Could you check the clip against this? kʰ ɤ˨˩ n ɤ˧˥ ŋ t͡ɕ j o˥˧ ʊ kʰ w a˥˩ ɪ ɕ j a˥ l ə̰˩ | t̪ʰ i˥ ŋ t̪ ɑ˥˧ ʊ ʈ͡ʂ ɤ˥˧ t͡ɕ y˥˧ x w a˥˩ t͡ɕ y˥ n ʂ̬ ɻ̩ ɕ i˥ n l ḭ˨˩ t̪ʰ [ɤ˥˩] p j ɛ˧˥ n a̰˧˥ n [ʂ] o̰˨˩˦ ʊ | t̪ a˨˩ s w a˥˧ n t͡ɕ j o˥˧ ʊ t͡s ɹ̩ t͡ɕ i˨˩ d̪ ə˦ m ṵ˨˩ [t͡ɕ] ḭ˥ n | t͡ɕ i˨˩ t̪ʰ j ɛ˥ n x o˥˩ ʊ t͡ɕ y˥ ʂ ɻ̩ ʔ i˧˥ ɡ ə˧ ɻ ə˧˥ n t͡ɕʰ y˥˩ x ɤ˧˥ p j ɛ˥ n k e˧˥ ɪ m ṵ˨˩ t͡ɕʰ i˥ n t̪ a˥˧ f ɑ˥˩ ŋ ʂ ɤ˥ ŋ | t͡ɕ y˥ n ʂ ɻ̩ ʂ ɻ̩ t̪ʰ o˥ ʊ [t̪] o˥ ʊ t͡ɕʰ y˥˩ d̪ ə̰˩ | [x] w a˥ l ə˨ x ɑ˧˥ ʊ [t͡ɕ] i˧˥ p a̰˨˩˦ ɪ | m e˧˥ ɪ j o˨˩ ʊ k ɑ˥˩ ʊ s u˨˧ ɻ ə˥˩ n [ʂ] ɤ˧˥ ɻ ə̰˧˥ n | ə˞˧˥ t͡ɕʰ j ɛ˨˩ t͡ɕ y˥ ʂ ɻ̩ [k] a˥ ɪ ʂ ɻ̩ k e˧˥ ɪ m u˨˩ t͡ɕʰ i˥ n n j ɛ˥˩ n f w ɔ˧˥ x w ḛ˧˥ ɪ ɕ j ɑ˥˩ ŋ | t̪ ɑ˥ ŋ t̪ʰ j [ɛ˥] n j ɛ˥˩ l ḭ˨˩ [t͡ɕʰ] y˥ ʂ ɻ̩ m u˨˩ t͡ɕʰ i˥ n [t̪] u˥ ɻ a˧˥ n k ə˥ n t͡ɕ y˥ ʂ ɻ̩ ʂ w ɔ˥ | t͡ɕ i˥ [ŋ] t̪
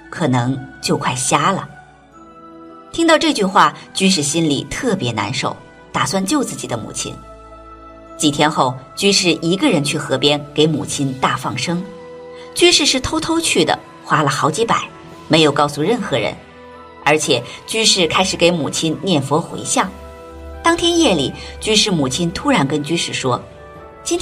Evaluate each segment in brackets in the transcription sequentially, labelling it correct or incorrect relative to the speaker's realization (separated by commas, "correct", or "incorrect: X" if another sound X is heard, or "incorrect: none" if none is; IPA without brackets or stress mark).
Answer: correct, correct, incorrect: t͡ɕʰ, incorrect: t̪ʰ, correct, correct, incorrect: x, incorrect: kʰ, correct, incorrect: t͡ɕ, incorrect: t̪ʰ, incorrect: n